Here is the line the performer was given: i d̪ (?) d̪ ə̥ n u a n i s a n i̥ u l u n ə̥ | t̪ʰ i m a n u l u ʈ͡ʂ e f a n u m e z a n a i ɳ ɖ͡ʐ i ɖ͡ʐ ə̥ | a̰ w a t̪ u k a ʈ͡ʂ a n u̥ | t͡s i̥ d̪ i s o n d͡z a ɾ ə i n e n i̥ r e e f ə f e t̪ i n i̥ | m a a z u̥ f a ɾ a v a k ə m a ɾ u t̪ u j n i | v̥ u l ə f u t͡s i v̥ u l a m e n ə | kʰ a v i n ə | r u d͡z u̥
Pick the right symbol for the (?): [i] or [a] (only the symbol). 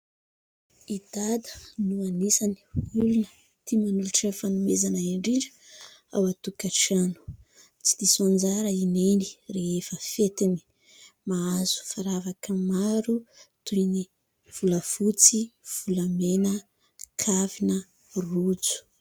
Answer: a